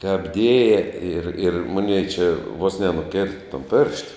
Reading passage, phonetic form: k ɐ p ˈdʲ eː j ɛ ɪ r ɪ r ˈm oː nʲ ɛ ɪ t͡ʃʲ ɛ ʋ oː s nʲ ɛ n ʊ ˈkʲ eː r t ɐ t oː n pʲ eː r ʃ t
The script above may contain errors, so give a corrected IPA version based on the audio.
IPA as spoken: k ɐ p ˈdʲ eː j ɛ ɪ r ɪ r ˈm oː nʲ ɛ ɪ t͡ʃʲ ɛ ʋ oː s nʲ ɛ n ʊ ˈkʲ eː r t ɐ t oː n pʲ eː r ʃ t